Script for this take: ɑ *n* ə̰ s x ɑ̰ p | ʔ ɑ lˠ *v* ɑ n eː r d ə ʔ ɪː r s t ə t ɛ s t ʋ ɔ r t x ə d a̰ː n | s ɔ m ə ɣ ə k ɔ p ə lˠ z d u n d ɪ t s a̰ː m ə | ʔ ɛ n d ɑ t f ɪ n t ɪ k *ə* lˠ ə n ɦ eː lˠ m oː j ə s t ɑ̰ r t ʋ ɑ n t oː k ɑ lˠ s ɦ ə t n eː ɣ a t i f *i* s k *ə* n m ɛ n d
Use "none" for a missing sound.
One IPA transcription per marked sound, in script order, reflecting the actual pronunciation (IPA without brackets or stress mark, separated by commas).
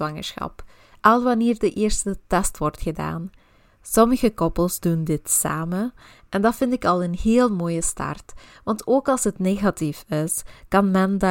ŋ, ʋ, ɑ, ɪ, ɑ